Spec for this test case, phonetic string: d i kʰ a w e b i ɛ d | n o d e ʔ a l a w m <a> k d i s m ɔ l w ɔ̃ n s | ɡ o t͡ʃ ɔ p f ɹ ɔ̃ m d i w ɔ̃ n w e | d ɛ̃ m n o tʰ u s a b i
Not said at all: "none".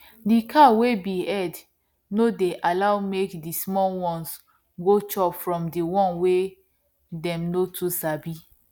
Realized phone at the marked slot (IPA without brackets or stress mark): e